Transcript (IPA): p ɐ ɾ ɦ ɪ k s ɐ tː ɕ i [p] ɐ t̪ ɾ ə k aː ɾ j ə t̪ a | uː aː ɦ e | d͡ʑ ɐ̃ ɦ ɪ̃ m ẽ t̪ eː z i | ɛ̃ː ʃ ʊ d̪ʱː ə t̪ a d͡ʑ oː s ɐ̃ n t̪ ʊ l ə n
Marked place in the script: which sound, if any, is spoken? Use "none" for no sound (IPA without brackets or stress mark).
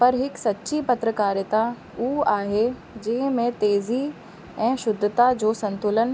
p